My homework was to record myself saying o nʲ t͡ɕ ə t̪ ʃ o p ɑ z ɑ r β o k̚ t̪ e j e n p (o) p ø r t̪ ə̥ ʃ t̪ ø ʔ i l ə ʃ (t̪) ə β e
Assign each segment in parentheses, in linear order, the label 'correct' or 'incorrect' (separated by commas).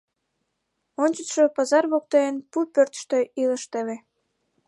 incorrect, correct